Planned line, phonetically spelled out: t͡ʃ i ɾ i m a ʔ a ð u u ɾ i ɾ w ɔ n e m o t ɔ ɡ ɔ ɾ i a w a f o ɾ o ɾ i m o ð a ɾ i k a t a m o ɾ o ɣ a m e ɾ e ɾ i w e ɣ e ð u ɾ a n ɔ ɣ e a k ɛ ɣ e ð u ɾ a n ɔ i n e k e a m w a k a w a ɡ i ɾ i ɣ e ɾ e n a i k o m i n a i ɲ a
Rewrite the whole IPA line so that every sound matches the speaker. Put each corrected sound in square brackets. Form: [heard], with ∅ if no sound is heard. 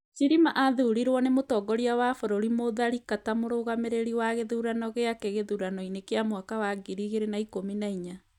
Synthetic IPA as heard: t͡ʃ i ɾ i m a ʔ a ð u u ɾ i ɾ w ɔ n e m o t ɔ ɡ ɔ ɾ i a w a f o ɾ o ɾ i m o ð a ɾ i k a t a m o ɾ o ɣ a m e ɾ e ɾ i w [a] ɣ e ð u ɾ a n ɔ ɣ e a k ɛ ɣ e ð u ɾ a n ɔ i n e k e a m w a k a w a ɡ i ɾ i ɣ e ɾ e n a i k o m i n a i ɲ a